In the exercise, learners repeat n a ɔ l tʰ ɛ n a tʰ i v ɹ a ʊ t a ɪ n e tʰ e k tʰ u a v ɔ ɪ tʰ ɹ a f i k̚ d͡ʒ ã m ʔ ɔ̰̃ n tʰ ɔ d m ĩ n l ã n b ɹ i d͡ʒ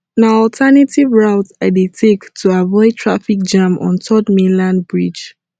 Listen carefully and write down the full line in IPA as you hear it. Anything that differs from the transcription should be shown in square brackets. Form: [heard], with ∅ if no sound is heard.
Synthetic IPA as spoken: n a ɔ l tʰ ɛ n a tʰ i v ɹ a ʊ t a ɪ [d] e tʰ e k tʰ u a v ɔ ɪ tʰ ɹ a f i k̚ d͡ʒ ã m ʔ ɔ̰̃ n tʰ ɔ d m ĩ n l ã n b ɹ i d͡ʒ